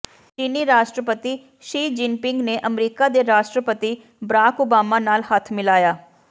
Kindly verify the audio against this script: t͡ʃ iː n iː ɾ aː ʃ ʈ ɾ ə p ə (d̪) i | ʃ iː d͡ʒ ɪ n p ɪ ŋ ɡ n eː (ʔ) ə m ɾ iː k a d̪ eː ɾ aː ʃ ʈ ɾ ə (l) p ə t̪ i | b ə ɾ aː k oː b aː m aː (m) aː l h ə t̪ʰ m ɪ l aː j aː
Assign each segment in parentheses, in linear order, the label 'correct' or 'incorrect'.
incorrect, correct, incorrect, incorrect

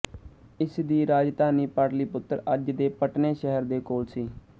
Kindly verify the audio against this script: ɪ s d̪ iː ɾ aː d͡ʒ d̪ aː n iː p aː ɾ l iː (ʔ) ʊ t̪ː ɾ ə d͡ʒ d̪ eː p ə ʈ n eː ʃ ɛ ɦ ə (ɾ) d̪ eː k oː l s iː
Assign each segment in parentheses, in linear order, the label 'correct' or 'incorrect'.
incorrect, correct

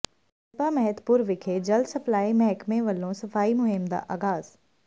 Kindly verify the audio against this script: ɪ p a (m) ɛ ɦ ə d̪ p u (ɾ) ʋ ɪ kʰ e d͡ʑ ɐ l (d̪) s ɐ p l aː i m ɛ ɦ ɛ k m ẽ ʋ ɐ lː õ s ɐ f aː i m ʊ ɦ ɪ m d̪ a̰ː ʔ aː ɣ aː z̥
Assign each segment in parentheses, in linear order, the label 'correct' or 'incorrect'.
correct, correct, correct

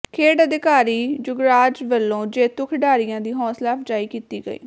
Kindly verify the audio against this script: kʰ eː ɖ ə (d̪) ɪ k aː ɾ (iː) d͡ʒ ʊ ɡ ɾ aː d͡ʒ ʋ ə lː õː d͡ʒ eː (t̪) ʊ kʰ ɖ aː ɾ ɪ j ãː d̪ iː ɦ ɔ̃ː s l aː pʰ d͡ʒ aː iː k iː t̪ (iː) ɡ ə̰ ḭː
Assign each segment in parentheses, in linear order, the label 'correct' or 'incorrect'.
correct, correct, correct, correct

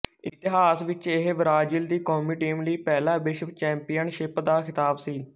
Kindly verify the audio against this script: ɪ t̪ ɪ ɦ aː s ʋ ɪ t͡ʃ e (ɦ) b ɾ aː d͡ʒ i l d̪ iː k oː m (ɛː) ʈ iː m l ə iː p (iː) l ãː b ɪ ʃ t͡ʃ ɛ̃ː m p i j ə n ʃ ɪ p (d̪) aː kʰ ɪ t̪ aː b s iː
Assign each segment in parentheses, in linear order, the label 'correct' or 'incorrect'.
correct, incorrect, incorrect, correct

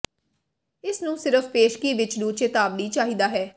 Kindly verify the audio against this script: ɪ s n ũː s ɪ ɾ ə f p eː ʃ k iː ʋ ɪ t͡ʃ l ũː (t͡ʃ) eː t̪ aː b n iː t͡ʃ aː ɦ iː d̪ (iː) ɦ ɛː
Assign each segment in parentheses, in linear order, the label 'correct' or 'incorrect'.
correct, incorrect

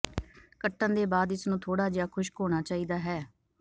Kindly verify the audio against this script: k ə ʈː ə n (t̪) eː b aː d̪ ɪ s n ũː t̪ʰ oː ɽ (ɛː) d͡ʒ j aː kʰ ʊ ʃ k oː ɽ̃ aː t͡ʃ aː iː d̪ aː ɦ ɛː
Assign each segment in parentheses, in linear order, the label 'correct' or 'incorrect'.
incorrect, incorrect

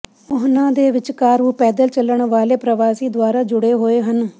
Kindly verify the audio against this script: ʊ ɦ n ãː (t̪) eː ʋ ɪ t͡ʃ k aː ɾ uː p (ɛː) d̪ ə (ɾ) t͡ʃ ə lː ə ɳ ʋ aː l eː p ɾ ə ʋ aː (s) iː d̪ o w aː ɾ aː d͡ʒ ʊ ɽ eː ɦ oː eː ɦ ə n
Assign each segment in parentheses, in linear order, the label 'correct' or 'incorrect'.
incorrect, correct, incorrect, correct

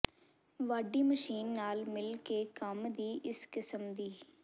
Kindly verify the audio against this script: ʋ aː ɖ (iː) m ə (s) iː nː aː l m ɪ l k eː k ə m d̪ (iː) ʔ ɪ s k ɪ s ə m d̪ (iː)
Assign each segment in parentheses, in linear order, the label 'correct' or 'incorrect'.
correct, incorrect, correct, correct

